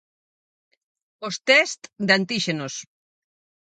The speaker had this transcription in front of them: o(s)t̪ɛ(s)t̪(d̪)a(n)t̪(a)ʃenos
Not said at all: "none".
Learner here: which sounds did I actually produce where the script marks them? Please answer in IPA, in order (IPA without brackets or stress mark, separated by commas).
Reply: s, s, d̪, n, i